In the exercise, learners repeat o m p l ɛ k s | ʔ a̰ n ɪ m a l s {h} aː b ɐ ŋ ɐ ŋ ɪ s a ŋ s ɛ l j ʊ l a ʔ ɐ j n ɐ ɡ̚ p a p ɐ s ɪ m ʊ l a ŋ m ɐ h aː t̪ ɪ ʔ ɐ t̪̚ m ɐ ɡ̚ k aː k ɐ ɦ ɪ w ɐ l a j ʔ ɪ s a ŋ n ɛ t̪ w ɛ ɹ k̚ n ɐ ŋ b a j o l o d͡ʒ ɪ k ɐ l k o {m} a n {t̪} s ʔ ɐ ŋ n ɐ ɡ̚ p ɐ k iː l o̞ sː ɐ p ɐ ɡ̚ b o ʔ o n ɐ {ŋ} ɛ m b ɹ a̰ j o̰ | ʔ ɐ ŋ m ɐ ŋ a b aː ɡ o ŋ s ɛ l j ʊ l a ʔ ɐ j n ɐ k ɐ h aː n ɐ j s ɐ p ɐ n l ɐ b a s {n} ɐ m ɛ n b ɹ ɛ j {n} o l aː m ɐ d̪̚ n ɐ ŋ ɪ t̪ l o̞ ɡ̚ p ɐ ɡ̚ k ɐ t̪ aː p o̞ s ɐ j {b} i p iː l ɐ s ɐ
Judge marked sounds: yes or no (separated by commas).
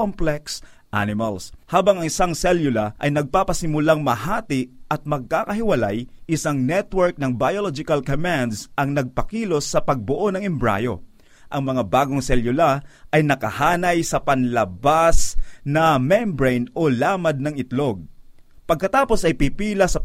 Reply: yes, yes, no, yes, yes, yes, no